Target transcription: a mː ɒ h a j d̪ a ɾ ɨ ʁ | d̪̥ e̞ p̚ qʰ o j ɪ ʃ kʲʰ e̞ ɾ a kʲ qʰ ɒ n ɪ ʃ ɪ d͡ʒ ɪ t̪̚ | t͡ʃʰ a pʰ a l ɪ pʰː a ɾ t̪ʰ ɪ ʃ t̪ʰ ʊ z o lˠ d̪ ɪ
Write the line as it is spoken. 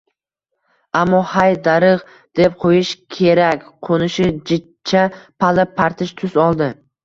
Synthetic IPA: a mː ɒ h a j d̪ a ɾ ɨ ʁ | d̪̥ e̞ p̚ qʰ o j ɪ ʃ kʲʰ e̞ ɾ a kʲ qʰ o n ɪ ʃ ɪ d͡ʒ ɪ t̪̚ | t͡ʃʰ a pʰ a l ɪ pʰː a ɾ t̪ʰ ɪ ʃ t̪ʰ ʊ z ɒ lˠ d̪ ɪ